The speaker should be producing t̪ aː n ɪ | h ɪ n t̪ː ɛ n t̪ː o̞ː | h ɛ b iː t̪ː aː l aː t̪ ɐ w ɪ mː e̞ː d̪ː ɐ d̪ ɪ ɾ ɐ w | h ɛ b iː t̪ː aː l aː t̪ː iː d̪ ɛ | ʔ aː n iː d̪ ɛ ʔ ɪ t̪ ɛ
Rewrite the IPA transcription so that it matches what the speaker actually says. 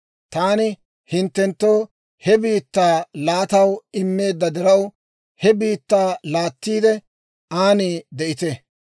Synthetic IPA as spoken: t̪ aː n ɪ | h ɪ n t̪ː ɛ n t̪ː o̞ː | h ɛ b iː t̪ː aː l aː t̪ ɐ w ɪ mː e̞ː d̪ː ɐ d̪ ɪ ɾ ɐ w | h ɛ b iː t̪ː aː l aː t̪ː iː d̪ ɛ | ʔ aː n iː d̪ ɛ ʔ ɪ t̪ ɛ

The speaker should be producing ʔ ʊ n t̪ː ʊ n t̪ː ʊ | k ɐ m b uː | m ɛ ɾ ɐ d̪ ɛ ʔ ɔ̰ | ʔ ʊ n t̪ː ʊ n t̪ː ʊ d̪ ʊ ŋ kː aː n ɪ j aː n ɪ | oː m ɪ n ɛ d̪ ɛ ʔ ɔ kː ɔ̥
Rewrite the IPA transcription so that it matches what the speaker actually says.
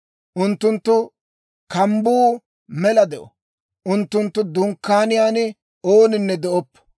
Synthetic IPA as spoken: ʔ ʊ n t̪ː ʊ n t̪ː ʊ | k ɐ m b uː | m ɛ l ɐ d̪ ɛ ʔ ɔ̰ | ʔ ʊ n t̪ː ʊ n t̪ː ʊ d̪ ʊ ŋ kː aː n ɪ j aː n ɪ | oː n ɪ nː ɛ d̪ ɛ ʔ ɔ pː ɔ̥

